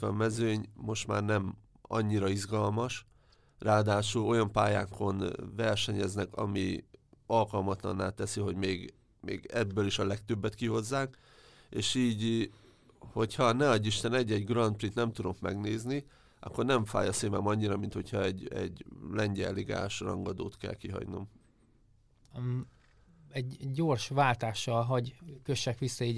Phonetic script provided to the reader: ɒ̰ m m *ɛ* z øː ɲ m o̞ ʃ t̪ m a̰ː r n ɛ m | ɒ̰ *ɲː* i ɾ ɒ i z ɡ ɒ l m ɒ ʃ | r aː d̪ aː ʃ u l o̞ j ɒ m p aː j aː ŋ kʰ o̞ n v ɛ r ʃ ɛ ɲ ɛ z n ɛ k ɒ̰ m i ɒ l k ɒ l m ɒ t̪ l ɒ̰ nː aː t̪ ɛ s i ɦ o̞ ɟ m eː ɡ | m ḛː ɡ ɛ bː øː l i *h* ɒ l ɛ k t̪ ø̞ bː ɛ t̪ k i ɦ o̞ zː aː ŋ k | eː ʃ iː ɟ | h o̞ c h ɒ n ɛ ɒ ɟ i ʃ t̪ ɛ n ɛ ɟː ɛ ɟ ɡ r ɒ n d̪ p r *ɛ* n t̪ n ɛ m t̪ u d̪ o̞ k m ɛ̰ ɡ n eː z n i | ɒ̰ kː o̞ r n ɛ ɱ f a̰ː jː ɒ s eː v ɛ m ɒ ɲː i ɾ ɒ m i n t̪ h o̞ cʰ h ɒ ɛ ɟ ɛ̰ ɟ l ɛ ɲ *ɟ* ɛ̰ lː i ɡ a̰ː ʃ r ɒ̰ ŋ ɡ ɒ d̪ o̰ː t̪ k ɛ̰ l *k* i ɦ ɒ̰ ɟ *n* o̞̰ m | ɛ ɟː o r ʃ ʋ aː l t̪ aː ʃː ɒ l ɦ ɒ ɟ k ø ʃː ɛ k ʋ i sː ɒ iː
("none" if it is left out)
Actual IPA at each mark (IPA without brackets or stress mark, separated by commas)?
ɛ, ɲː, ʃ, i, ɟ, k, n